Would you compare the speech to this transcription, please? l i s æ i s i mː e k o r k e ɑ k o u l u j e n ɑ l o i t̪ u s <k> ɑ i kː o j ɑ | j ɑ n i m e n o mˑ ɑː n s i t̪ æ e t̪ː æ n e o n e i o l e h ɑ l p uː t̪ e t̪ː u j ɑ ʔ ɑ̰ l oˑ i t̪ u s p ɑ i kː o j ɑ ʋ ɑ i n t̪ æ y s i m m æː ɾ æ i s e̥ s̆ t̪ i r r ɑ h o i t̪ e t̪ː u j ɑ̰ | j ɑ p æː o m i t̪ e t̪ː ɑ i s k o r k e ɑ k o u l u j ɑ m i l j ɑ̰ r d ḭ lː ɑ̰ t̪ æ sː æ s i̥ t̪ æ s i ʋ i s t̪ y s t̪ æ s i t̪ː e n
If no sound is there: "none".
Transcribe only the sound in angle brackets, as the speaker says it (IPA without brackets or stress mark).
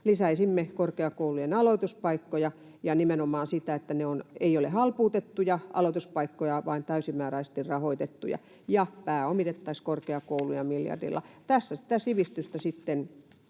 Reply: p